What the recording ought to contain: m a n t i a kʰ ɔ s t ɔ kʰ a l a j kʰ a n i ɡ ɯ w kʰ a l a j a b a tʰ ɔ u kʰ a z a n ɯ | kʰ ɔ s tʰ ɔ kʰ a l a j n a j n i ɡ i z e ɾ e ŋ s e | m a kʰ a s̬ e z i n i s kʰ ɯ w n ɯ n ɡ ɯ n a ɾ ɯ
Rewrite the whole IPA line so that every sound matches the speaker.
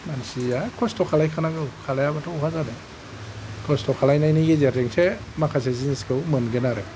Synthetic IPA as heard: m a n s i a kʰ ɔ s t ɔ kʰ a l a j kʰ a n a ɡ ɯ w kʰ a l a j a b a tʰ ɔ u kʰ a z a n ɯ | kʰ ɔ s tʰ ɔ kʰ a l a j n a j n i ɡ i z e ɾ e ŋ s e | m a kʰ a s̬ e z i n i s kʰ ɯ w m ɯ n ɡ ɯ n a ɾ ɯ